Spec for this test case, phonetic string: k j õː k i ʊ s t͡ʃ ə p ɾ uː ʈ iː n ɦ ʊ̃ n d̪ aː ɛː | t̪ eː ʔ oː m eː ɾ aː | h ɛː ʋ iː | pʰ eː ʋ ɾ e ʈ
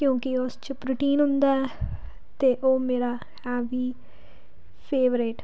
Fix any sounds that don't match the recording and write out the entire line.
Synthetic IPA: k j õː k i ʊ s t͡ʃ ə p ɾ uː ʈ iː n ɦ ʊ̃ n d̪ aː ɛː | t̪ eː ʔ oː m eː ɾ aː | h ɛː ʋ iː | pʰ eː ʋ ɾ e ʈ